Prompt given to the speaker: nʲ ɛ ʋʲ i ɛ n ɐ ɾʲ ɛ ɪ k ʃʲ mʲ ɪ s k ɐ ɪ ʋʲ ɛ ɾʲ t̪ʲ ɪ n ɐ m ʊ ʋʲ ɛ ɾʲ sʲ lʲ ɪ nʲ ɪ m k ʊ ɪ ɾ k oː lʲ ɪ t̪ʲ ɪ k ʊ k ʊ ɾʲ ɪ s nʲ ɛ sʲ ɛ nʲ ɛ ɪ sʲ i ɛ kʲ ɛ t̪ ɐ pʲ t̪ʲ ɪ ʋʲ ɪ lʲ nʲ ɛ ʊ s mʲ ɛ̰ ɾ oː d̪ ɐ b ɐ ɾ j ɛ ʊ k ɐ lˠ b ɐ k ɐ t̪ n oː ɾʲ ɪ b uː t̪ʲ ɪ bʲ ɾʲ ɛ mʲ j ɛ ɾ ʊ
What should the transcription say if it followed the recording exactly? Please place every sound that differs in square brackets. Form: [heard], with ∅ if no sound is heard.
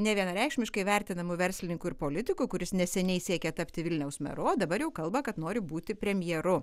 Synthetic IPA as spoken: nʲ ɛ ʋʲ i ɛ n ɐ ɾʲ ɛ ɪ k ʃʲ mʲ ɪ [ʃ] k ɐ ɪ ʋʲ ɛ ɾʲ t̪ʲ ɪ n ɐ m ʊ ʋʲ ɛ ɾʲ sʲ lʲ ɪ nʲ ɪ [ŋ] k ʊ ɪ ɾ [p] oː lʲ ɪ t̪ʲ ɪ k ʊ k ʊ ɾʲ ɪ s nʲ ɛ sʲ ɛ nʲ ɛ ɪ sʲ i ɛ kʲ ɛ t̪ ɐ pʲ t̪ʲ ɪ ʋʲ ɪ lʲ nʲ ɛ ʊ s mʲ ɛ̰ ɾ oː d̪ ɐ b ɐ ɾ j ɛ ʊ k ɐ lˠ b ɐ k ɐ t̪ n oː ɾʲ ɪ b uː t̪ʲ ɪ [pʲ] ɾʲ ɛ mʲ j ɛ ɾ ʊ